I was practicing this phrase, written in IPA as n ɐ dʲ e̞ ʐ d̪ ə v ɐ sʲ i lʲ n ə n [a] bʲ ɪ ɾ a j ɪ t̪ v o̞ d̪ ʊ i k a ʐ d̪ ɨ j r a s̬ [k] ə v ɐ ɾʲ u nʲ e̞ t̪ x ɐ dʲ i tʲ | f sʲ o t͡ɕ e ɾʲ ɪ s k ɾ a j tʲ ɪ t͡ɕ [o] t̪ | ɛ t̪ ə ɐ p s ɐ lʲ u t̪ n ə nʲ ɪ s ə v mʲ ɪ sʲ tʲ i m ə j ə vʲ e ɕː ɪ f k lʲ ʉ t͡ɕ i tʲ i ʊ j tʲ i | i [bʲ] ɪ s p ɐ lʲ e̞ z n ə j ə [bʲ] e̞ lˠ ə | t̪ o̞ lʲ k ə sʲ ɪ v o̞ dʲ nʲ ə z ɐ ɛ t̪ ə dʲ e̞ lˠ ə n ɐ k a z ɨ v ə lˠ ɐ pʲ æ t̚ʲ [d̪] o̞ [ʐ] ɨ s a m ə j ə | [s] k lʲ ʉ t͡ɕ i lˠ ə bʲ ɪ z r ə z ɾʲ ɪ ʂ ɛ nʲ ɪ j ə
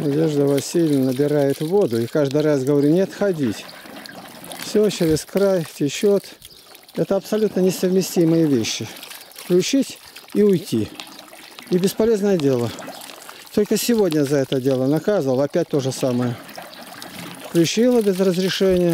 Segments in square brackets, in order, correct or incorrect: incorrect: ə, incorrect: ɡ, correct, correct, incorrect: dʲ, incorrect: t̪, correct, incorrect: f

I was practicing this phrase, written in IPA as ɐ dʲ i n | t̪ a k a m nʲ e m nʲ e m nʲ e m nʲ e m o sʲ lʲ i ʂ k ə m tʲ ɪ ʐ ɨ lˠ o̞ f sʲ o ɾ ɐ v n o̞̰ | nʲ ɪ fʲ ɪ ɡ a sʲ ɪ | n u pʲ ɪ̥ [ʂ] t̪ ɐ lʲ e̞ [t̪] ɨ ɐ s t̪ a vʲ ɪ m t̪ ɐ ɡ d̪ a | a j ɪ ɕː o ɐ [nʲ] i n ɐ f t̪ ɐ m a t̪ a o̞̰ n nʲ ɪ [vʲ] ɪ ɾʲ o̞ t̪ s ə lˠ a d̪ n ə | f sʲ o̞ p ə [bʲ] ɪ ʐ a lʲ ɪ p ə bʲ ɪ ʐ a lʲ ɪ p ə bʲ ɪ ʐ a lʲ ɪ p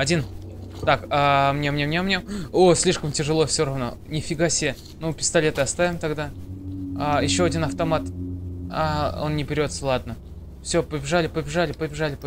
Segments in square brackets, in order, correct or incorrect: incorrect: s, correct, incorrect: dʲ, incorrect: bʲ, correct

